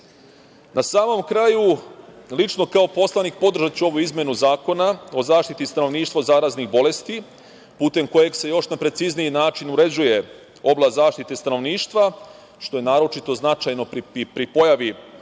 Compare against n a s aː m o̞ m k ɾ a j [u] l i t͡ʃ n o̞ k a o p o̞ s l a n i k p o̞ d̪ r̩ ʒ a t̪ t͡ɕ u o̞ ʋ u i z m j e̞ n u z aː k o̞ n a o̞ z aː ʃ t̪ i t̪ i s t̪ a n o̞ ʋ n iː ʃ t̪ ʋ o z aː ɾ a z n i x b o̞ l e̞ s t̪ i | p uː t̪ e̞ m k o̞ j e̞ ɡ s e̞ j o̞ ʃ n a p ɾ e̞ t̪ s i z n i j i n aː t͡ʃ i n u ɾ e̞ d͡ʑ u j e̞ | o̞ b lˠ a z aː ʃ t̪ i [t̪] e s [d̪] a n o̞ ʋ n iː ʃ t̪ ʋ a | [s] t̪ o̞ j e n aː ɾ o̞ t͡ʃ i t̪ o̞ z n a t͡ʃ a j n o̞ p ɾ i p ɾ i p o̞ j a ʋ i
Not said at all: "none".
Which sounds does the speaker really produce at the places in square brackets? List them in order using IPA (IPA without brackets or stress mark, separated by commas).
u, t̪, t̪, ʃ